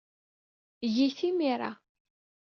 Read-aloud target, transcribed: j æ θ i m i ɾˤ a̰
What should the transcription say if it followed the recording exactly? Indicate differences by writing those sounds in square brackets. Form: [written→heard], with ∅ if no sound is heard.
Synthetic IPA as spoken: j [æ→i] θ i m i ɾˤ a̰